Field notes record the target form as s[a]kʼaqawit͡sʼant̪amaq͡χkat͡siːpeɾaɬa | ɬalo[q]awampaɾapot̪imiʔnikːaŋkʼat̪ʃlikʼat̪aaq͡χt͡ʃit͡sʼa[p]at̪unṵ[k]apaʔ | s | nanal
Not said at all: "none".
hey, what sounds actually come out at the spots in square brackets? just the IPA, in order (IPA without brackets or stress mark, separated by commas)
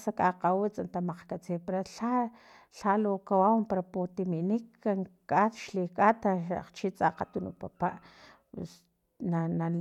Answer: a, k, q, p